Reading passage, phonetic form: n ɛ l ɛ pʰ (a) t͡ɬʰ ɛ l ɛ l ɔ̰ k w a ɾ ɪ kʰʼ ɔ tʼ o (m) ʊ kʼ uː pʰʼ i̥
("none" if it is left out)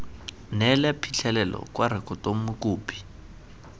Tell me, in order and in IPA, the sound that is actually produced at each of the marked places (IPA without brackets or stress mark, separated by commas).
i, m